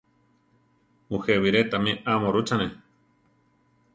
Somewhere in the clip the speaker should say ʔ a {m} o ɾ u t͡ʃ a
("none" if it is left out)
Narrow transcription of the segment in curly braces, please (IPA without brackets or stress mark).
m